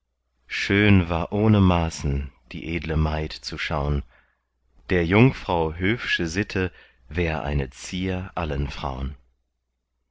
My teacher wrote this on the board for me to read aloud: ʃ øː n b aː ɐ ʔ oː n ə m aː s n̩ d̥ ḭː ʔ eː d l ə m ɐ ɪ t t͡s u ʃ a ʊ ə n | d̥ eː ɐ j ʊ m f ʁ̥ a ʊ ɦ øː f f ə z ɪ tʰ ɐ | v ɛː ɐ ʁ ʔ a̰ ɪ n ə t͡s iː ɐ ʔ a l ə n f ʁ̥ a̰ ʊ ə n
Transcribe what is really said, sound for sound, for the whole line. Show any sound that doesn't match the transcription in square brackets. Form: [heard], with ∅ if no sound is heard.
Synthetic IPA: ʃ øː n [v] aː ɐ ʔ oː n ə m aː s n̩ d̥ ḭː ʔ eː d l ə m [a] ɪ t t͡s u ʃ a ʊ ə n | d̥ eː ɐ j ʊ [ŋ] f ʁ̥ a ʊ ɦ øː f [ʃ] ə z ɪ tʰ [ə] | v ɛː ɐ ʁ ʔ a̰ ɪ n ə t͡s iː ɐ ʔ a l ə n f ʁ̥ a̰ ʊ ə n

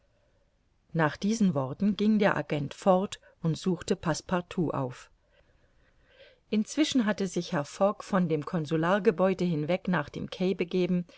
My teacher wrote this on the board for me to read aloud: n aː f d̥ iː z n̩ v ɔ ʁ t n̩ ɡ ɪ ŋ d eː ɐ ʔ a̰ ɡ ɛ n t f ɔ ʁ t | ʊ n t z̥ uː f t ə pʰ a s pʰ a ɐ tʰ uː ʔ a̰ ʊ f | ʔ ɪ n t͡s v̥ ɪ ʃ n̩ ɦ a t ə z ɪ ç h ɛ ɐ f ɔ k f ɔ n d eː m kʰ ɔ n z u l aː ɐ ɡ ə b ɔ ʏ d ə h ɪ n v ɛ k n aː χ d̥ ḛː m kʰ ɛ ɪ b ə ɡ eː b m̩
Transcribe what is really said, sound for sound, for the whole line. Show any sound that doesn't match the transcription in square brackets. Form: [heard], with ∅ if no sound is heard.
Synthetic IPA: n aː [χ] d̥ iː z n̩ v ɔ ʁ t n̩ ɡ ɪ ŋ d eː ɐ ʔ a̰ ɡ ɛ n t f ɔ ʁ t | ʊ n t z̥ uː [x] t ə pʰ a s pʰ a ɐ tʰ uː ʔ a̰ ʊ f | ʔ ɪ n t͡s v̥ ɪ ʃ n̩ ɦ a t ə z ɪ ç h ɛ ɐ f ɔ k f ɔ n d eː m kʰ ɔ n z u l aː ɐ ɡ ə b ɔ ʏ d ə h ɪ n v ɛ k n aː χ d̥ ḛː m kʰ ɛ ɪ b ə ɡ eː b m̩

